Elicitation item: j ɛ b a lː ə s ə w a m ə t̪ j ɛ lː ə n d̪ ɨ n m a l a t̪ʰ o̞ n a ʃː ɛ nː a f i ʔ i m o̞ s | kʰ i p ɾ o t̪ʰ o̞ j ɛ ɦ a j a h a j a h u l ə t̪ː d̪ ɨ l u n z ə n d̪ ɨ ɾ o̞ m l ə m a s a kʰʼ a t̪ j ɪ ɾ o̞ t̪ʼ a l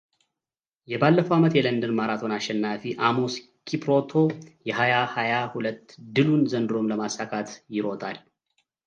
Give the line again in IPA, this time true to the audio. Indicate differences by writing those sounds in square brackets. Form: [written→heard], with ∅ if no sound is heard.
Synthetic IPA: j ɛ b a lː ə [s→f] ə w a m ə t̪ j ɛ [lː→l] ə n d̪ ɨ n m a [l→ɾ] a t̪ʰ o̞ n a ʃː ɛ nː a f i ʔ [i→a] m o̞ s | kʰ i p ɾ o t̪ʰ o̞ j ɛ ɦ a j a h a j a h u l ə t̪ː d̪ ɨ l u n z ə n d̪ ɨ ɾ o̞ m l ə m a s a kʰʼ a t̪ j ɪ ɾ o̞ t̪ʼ a l